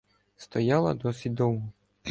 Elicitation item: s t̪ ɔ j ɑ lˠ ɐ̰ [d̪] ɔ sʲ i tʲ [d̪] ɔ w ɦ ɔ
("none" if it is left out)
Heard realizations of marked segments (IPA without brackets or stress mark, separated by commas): d̪, d̪